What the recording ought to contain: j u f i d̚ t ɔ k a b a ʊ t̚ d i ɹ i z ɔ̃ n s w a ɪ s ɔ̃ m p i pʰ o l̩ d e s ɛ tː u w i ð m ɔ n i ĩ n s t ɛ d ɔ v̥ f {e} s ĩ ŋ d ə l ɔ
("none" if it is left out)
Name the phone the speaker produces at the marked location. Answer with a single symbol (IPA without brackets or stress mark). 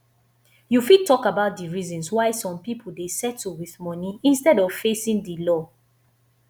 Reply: e